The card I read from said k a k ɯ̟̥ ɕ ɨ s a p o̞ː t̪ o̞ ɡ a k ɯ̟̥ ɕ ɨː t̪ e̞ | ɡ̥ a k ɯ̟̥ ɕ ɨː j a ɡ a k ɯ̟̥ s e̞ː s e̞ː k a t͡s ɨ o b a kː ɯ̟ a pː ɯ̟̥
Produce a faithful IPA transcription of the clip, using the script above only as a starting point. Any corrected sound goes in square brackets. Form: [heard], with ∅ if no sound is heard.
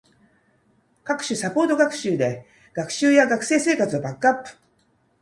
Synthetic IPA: k a k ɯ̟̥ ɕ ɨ s a p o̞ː t̪ o̞ ɡ a k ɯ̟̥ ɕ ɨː [d̪] e̞ | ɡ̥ a k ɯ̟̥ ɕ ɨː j a ɡ a k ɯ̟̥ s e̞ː s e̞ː k a t͡s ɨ o b a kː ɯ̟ a pː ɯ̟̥